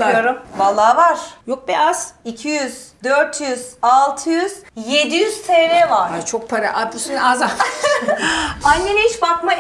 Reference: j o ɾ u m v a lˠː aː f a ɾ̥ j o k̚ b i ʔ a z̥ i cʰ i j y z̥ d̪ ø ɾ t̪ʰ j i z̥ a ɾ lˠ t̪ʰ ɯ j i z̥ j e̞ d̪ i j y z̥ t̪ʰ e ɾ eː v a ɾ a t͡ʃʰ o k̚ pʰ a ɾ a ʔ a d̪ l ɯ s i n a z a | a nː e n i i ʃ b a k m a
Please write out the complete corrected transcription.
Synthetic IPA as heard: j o ɾ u m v a lˠː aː v a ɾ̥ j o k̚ b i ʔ a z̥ i cʰ i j y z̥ d̪ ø ɾ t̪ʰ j y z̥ a lˠ t̪ʰ ɯ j y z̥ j e̞ d̪ i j y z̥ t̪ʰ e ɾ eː v a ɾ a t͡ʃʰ o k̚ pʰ a ɾ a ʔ a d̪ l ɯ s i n a z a | a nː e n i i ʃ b a k m a